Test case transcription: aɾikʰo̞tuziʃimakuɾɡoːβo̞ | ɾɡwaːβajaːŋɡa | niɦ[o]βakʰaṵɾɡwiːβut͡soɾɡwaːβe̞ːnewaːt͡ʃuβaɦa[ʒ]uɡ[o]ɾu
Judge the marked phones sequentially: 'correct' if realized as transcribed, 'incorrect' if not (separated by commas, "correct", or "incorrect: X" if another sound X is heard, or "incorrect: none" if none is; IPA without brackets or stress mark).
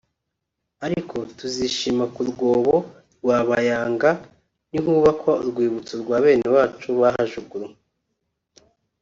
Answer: incorrect: u, correct, incorrect: u